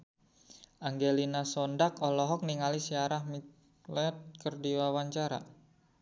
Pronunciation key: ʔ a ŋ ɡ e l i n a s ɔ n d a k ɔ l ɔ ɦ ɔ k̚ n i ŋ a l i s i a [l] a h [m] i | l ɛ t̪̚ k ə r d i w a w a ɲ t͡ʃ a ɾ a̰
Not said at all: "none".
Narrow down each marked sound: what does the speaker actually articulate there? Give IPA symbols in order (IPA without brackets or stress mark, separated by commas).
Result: ɾ, m